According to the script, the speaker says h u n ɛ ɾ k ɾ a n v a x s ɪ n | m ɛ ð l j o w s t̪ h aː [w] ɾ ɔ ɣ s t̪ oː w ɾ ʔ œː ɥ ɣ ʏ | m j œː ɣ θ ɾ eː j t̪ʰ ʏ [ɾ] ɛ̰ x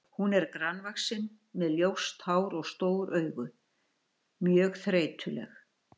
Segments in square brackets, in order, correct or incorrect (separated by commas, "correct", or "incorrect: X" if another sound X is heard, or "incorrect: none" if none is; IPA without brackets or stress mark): correct, incorrect: l